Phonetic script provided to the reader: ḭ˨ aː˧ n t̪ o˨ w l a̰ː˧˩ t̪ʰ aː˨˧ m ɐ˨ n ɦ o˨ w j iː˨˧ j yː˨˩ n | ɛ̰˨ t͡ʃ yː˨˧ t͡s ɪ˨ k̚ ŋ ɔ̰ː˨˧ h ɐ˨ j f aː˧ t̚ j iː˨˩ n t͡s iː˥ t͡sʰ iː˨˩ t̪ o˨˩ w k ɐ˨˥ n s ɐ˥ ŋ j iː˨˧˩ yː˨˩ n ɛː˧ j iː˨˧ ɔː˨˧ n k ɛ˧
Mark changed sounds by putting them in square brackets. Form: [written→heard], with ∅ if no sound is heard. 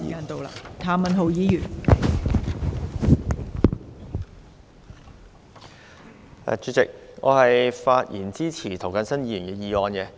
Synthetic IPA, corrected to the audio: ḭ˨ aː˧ n t̪ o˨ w l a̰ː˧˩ t̪ʰ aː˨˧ m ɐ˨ n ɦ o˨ w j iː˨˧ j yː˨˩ n | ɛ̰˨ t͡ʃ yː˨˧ t͡s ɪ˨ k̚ ŋ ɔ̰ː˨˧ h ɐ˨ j f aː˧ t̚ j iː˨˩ n t͡s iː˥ t͡sʰ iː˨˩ [t̪→t̪ʰ] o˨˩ w k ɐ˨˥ n s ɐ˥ [ŋ→n] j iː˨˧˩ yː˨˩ n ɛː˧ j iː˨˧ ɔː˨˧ n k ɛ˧